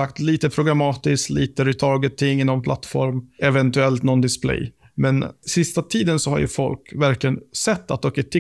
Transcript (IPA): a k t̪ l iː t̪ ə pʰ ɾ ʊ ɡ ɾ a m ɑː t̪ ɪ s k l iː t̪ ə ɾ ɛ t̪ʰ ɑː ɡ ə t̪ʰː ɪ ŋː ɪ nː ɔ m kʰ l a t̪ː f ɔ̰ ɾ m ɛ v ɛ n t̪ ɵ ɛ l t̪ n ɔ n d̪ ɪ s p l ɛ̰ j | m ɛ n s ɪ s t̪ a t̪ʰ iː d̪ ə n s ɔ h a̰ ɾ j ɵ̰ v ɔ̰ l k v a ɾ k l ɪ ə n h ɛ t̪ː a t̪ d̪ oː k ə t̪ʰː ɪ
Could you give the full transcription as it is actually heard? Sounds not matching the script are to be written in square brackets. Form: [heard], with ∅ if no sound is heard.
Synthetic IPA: a k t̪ l iː t̪ ə pʰ ɾ ʊ ɡ ɾ a m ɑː t̪ ɪ s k l iː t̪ ə ɾ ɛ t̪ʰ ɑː ɡ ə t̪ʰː ɪ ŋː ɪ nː ɔ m [pʰ] l a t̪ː f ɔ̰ ɾ m ɛ v ɛ n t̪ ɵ ɛ l t̪ n ɔ n d̪ ɪ s p l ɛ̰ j | m ɛ n s ɪ s t̪ a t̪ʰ iː d̪ ə n s ɔ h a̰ ɾ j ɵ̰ [f] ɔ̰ l k v [æ] ɾ k l ɪ ə n [s] ɛ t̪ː a t̪ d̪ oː k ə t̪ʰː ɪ